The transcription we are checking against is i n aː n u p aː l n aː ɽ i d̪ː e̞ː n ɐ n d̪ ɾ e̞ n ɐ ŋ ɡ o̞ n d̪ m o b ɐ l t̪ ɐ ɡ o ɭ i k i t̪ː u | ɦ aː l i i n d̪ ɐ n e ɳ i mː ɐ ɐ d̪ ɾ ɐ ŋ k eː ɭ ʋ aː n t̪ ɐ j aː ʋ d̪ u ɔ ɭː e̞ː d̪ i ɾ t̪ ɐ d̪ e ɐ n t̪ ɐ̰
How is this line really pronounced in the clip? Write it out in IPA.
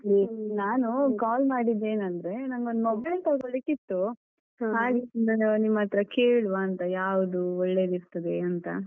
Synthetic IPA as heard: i n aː n u k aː l m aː ɽ i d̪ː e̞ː n ɐ n d̪ ɾ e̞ n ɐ ŋ ɡ o̞ n d̪ m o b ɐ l t̪ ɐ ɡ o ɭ i k i t̪ː u | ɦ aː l i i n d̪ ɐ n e n i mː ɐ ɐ t̪ ɾ ɐ k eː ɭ ʋ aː n t̪ ɐ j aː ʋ d̪ u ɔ ɭː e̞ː d̪ i ɾ t̪ ɐ d̪ e ɐ n t̪ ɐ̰